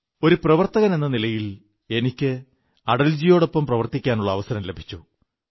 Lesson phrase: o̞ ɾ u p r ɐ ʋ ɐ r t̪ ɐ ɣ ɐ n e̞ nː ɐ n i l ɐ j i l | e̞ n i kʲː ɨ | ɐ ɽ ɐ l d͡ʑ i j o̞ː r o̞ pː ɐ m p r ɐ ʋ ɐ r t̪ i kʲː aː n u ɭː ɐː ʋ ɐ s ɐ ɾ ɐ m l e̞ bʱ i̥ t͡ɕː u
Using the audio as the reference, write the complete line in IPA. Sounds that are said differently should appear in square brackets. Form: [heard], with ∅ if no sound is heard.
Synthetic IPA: o̞ ɾ u p r ɐ ʋ ɐ r t̪ ɐ ɣ ɐ n e̞ nː ɐ n i l ɐ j i l | e̞ n i kʲː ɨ | ɐ ɽ ɐ l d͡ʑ i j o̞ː [ɽ] o̞ pː ɐ m p r ɐ ʋ ɐ r t̪ i kʲː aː n u ɭː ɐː ʋ ɐ s ɐ ɾ ɐ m l e̞ bʱ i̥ t͡ɕː u